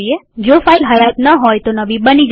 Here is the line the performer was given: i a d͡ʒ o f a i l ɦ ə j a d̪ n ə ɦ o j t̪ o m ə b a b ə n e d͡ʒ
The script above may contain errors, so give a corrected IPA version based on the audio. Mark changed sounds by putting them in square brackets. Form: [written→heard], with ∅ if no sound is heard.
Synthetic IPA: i [a→e] d͡ʒ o f a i l ɦ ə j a [d̪→t̪] n ə ɦ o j t̪ o [m→n] ə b [a→i] b ə n [e→i] d͡ʒ